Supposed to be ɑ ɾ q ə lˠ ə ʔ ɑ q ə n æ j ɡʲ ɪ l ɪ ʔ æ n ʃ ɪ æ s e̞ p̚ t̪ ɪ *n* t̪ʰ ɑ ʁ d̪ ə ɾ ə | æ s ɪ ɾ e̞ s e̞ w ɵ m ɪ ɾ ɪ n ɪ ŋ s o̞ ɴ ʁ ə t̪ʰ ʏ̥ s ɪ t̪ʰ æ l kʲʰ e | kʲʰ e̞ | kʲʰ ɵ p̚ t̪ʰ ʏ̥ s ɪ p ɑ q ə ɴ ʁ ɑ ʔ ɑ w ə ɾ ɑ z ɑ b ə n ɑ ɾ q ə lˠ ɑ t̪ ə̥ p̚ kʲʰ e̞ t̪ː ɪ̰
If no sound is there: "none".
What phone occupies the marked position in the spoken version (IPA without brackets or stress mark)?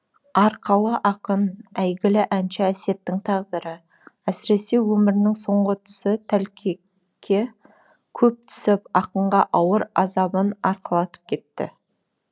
ŋ